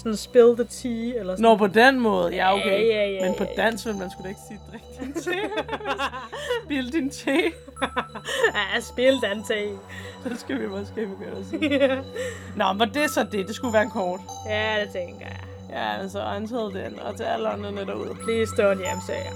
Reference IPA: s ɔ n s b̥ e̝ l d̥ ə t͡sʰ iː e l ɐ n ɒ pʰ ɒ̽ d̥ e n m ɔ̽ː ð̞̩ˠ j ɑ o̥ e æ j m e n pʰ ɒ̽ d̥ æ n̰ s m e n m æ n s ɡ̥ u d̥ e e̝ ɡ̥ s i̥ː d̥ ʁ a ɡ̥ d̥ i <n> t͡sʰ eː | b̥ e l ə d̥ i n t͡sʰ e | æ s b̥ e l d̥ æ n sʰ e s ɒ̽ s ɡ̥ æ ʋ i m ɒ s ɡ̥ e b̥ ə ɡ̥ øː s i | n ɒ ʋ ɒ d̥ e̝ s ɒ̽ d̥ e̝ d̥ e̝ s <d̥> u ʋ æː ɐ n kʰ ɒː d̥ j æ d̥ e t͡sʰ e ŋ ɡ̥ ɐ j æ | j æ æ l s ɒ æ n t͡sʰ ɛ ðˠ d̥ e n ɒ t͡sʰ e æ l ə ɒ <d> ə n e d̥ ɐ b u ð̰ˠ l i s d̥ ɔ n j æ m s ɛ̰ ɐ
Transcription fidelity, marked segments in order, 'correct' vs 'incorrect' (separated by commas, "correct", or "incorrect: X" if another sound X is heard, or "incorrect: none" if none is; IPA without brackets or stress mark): correct, incorrect: ɡ̥, incorrect: n